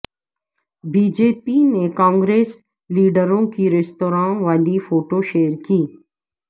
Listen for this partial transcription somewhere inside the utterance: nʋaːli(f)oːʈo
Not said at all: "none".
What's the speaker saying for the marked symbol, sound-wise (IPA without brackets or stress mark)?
f